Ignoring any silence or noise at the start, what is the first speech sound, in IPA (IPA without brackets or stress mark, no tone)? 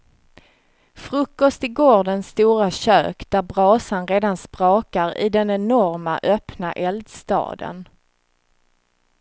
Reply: f